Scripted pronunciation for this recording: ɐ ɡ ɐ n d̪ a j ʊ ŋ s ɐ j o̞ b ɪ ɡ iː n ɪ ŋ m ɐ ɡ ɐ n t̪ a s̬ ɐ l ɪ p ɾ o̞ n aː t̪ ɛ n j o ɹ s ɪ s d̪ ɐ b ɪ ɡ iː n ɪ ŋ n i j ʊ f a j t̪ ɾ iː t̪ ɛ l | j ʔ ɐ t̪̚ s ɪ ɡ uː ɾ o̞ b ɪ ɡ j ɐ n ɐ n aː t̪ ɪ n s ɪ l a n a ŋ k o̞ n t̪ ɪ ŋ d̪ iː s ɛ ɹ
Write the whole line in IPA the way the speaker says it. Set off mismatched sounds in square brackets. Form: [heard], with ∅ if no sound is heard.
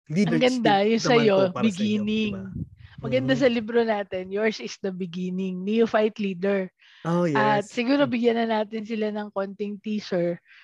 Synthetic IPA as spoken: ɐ ɡ ɐ n d̪ a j ʊ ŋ s ɐ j o̞ b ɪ ɡ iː n ɪ ŋ m ɐ ɡ ɐ n [d̪] a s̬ ɐ l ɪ [b] ɾ o̞ n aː t̪ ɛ n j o ɹ s ɪ s d̪ ɐ b ɪ ɡ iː n ɪ ŋ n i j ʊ f a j t̪ [l] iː [d̪] ɛ [ɹ] | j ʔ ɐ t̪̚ s ɪ ɡ uː ɾ o̞ b ɪ ɡ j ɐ n ɐ n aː t̪ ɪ n s ɪ l a n [ɐ] ŋ k o̞ n t̪ ɪ ŋ [t̪] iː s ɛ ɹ